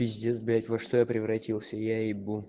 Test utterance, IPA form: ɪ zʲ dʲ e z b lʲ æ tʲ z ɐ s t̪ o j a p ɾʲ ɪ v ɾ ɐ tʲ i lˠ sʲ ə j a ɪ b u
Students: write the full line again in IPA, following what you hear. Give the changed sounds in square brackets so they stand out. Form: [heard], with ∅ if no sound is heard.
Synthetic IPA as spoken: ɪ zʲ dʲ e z b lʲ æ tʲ [v] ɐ [ʂ] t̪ o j a p ɾʲ ɪ v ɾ ɐ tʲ i lˠ sʲ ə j a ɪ b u